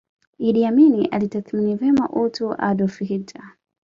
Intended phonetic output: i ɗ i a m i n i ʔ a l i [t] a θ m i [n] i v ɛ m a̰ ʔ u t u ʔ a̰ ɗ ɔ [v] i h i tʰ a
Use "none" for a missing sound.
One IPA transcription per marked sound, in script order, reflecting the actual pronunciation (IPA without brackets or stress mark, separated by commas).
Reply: t, n, f